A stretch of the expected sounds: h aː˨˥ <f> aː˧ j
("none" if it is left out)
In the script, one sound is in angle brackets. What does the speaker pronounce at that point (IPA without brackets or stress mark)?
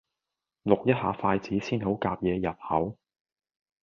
f